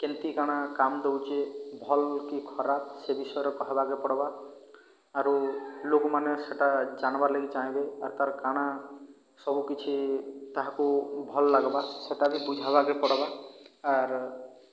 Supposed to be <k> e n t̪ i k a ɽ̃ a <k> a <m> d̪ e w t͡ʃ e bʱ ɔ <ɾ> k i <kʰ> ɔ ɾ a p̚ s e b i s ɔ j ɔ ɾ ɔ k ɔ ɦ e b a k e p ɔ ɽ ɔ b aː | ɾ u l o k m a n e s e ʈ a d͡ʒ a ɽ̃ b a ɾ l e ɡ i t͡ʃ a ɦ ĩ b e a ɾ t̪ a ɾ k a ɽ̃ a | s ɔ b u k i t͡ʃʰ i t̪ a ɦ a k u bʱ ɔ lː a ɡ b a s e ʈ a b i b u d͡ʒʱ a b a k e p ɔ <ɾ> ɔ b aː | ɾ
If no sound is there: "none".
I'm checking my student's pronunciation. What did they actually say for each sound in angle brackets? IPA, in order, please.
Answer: k, k, m, l, kʰ, ɽ

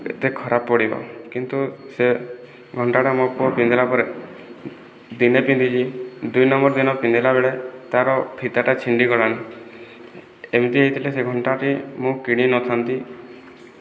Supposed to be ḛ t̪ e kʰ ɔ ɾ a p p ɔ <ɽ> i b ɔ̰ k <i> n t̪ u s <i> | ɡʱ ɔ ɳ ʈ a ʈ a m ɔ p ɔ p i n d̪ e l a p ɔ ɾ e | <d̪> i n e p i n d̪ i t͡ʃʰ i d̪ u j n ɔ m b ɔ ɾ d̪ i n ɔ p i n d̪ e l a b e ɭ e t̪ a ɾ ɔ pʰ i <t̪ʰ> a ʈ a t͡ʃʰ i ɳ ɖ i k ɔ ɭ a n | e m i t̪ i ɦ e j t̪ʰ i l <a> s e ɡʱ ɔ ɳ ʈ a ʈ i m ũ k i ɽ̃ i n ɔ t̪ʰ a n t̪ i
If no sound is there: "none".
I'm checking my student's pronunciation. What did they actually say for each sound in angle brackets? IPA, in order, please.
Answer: ɽ, i, e, d̪, t̪, e

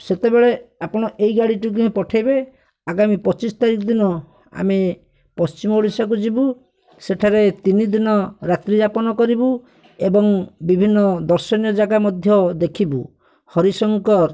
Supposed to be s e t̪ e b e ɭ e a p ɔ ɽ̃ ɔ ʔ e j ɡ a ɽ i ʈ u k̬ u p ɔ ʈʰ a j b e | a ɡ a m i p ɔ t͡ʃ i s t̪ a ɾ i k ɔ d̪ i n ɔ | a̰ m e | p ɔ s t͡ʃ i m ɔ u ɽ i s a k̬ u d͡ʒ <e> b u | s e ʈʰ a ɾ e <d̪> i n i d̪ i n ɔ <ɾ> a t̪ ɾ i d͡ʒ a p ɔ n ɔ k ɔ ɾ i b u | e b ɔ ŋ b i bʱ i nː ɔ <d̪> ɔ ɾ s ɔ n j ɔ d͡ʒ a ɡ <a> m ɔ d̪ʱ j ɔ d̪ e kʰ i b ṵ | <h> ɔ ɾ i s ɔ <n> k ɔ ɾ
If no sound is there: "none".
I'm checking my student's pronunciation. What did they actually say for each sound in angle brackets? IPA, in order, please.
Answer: i, t̪, ɾ, d̪, a, h, ŋ

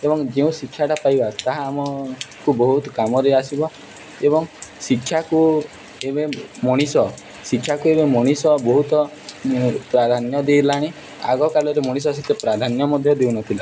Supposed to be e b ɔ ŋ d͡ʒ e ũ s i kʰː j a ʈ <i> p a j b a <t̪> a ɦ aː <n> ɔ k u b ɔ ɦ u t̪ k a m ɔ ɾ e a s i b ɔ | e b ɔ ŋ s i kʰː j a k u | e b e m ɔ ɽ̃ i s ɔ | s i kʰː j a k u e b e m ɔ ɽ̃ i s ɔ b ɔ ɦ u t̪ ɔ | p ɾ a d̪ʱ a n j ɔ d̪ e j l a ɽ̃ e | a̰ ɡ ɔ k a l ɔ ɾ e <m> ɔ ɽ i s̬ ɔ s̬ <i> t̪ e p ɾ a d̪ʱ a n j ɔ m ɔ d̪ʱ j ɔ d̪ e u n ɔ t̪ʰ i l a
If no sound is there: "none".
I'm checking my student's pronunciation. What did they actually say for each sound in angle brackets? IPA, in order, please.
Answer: a, t̪, m, m, i

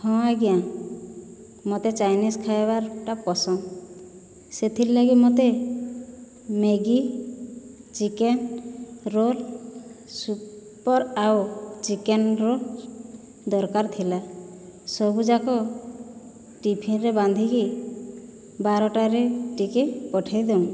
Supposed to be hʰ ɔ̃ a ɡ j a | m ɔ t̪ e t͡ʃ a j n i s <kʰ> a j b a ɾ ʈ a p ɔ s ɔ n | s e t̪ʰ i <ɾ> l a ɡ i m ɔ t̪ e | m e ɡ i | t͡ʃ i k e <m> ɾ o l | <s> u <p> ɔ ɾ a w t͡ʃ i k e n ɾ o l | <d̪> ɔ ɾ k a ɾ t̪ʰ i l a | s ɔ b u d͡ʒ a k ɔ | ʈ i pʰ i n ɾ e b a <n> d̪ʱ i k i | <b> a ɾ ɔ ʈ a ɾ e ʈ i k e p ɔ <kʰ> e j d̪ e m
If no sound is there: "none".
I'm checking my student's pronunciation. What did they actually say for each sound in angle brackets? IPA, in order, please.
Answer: kʰ, l, n, s, p, d̪, n, b, ʈʰ

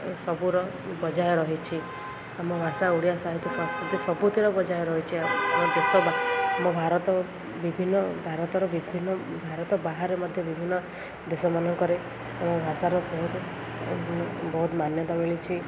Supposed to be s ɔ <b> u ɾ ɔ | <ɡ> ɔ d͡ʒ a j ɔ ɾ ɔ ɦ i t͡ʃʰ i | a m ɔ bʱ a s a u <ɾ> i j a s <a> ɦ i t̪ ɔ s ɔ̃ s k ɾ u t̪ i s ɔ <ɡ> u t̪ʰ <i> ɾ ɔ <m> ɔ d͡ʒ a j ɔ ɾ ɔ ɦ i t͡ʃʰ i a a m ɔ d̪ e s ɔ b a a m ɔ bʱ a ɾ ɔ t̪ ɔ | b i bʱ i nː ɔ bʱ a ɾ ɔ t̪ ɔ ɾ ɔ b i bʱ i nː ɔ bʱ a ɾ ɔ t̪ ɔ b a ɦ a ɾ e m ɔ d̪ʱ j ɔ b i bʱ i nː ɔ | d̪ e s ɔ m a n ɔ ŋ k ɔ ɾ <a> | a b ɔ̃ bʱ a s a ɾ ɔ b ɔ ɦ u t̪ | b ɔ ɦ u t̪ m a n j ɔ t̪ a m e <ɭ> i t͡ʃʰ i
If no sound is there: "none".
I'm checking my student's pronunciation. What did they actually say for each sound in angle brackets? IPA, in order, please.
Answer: b, b, ɽ, a, b, i, b, e, ɭ

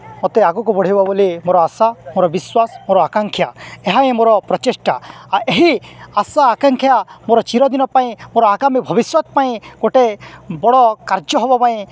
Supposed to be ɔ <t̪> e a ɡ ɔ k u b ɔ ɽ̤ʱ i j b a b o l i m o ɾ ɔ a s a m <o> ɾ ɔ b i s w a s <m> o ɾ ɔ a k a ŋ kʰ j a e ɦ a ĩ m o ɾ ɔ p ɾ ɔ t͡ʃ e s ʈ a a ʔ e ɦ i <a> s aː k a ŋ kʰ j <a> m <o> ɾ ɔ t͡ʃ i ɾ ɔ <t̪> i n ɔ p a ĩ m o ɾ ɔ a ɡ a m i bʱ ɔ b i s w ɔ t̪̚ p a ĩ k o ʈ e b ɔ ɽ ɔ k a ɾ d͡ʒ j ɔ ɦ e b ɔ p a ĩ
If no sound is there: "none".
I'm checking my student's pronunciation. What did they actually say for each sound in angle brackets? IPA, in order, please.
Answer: t̪, o, m, a, a, o, d̪

